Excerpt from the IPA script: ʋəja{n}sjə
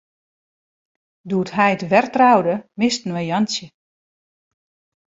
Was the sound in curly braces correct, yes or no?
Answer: yes